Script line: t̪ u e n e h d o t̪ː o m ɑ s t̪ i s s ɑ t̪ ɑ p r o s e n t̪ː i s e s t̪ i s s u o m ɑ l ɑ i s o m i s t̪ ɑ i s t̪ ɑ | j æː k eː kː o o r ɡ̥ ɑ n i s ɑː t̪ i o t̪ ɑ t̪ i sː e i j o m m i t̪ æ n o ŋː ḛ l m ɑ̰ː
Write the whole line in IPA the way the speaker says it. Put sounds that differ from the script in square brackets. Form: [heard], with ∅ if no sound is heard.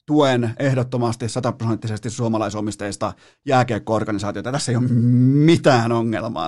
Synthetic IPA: t̪ u e n e h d o t̪ː o m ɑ s t̪ i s s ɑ t̪ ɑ p r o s e n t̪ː i s e s t̪ i s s u o m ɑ l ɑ i s o m i s t̪ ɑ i s t̪ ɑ | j æː k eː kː o o r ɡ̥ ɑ n i s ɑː t̪ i o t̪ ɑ t̪ [æ] sː e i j o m m i t̪ [æː] n o ŋː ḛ l m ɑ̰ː